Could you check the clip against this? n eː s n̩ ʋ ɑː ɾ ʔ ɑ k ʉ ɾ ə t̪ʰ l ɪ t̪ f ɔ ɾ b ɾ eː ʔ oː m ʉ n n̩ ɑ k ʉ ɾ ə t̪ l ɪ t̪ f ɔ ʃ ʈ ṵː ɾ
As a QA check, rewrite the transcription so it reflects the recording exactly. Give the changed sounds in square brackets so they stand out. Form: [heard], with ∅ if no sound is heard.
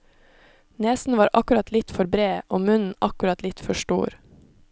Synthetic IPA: n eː s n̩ ʋ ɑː ɾ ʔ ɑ k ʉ ɾ [ɑ] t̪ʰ l ɪ t̪ f ɔ ɾ b ɾ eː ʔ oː m ʉ n n̩ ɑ k ʉ ɾ [ɑ] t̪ l ɪ t̪ f ɔ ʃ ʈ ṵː ɾ